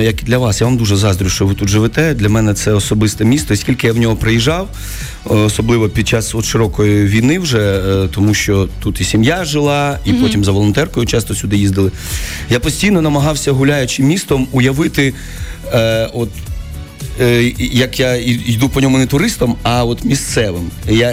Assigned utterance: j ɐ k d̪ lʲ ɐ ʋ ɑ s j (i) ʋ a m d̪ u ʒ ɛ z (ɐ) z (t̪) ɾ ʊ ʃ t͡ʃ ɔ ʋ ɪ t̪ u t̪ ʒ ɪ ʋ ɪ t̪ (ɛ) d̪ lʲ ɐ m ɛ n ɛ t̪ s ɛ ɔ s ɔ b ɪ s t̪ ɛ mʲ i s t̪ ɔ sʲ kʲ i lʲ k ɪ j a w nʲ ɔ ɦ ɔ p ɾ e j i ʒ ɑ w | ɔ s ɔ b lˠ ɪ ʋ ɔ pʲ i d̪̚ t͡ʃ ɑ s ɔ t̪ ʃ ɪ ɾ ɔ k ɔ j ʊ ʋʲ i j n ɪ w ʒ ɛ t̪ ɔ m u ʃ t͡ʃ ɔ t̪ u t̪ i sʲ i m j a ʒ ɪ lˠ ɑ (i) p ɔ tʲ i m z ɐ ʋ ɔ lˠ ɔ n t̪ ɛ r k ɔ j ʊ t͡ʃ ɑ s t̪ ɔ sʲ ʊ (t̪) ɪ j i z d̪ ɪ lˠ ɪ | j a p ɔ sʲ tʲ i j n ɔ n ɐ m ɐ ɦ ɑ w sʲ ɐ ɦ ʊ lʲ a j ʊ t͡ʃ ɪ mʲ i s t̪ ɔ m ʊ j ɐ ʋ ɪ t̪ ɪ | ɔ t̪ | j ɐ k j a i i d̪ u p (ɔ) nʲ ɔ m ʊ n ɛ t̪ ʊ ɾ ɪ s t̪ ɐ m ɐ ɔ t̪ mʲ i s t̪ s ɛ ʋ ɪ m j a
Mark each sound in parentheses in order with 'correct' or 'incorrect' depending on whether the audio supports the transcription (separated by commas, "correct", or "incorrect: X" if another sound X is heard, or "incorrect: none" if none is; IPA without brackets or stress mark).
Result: incorrect: a, incorrect: ɑ, incorrect: d̪, correct, correct, incorrect: d̪, correct